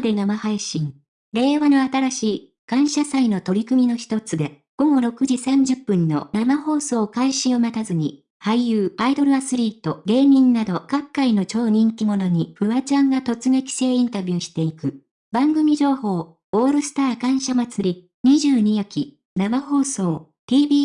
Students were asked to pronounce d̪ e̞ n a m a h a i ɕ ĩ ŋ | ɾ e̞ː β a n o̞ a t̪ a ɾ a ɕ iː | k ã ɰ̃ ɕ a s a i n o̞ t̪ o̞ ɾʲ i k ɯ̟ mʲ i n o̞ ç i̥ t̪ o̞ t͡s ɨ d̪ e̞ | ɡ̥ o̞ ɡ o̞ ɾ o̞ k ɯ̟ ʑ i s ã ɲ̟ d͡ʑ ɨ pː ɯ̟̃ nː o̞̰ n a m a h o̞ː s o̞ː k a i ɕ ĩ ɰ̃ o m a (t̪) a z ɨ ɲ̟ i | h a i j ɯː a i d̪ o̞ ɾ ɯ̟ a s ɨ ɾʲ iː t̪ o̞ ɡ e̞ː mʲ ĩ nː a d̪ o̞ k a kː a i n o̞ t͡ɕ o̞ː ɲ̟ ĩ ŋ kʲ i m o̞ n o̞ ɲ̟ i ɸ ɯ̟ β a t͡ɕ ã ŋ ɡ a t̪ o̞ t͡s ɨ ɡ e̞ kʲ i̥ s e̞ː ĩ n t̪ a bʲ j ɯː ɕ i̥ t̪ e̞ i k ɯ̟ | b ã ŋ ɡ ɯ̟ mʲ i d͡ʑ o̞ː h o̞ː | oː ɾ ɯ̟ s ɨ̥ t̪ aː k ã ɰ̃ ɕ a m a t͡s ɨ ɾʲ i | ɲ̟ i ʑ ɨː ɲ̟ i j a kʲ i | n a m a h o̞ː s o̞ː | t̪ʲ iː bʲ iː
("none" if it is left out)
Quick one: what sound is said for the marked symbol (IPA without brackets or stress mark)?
t̪